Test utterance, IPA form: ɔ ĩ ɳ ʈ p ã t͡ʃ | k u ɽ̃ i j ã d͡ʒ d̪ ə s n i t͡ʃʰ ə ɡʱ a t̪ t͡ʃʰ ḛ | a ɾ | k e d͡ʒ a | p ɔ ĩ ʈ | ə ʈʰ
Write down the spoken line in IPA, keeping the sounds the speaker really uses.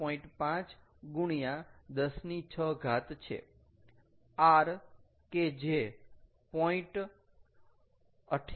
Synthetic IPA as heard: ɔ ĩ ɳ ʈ p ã t͡ʃ | ɡ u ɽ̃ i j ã d̪ ə s n i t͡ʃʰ ə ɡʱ a t̪ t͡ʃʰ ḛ | a ɾ | k e d͡ʒ e | p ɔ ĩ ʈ | ə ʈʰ